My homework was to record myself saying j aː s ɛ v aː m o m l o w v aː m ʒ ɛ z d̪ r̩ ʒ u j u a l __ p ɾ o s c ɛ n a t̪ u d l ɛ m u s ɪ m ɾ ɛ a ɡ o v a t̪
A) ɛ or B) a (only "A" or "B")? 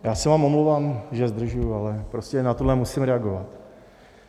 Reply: A